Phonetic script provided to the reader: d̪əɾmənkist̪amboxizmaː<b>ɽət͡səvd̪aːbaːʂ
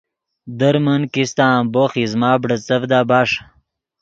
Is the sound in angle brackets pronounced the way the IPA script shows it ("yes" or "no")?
yes